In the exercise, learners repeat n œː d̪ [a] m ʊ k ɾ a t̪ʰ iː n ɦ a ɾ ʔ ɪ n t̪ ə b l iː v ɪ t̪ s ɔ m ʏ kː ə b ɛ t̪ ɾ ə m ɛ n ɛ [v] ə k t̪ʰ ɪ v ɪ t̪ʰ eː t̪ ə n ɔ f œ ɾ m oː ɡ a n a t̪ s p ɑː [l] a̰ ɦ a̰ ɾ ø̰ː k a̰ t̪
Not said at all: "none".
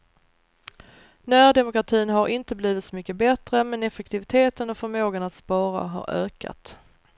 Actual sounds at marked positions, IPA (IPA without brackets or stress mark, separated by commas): ɛ, f, ɾ